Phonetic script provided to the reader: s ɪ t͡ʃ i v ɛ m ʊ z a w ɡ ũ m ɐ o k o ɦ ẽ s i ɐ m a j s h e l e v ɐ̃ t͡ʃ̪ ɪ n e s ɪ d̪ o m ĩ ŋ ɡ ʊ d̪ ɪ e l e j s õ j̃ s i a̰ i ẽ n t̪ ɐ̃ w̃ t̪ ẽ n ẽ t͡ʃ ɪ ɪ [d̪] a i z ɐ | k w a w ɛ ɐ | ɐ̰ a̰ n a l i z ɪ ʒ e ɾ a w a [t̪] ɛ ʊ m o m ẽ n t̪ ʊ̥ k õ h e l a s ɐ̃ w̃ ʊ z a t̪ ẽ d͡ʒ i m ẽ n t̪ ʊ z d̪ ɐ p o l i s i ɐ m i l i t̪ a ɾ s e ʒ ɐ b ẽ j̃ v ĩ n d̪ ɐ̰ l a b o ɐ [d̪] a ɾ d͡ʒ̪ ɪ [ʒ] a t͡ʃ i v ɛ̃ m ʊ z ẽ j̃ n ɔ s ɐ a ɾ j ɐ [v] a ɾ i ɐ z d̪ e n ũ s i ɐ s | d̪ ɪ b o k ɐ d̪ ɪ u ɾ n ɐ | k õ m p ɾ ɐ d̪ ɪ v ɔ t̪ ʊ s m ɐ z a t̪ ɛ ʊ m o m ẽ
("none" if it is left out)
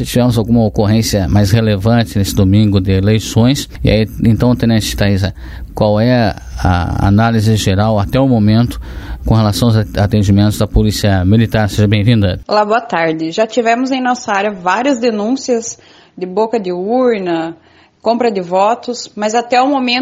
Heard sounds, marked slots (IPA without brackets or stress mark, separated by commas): t̪, t̪, t̪, ʒ, v